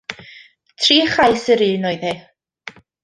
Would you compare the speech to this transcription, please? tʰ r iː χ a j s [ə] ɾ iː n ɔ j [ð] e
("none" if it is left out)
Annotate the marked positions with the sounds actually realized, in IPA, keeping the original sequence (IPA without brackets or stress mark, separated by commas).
ə, ð